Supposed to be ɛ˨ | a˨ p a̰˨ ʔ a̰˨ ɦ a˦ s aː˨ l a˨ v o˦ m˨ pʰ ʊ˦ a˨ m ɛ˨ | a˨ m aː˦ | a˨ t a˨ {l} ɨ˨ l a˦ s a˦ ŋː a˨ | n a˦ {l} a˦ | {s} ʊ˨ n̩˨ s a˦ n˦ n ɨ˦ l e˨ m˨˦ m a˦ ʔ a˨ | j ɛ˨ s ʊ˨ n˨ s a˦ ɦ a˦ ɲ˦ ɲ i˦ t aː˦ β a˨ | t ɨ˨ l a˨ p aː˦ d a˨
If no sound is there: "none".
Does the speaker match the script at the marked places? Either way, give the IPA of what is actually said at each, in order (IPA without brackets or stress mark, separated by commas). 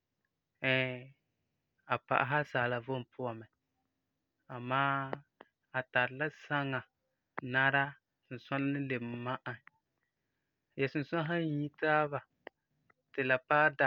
ɾ, ɾ, s